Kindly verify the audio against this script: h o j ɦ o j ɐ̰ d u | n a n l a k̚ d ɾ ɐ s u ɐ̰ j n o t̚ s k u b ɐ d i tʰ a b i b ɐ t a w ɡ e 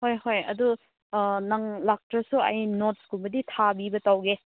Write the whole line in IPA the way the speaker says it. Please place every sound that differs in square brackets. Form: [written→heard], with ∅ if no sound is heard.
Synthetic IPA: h o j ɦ o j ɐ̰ d u | n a [n→ŋ] l a k̚ [d→t] ɾ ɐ s u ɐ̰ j n o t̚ s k u b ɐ d i tʰ a b i b ɐ t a w ɡ e